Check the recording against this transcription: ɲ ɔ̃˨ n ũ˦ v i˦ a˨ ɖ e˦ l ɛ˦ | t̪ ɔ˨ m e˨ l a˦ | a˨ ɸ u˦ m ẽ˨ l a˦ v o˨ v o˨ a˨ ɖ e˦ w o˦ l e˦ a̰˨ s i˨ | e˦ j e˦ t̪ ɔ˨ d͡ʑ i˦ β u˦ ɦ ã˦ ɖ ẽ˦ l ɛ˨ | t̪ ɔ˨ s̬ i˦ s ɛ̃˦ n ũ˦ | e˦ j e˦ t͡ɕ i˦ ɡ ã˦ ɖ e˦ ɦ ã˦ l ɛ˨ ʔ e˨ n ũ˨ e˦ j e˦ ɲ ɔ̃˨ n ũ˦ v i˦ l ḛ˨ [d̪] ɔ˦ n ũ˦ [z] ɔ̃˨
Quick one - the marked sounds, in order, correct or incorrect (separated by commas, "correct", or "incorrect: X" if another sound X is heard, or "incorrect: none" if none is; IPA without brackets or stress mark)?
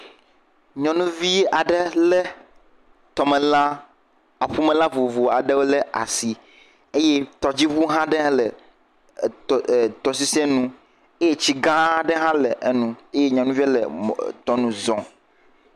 incorrect: t̪, correct